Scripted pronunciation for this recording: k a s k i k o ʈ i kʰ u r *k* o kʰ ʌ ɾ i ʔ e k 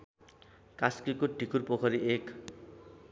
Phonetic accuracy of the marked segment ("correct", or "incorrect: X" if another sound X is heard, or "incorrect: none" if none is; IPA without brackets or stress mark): incorrect: p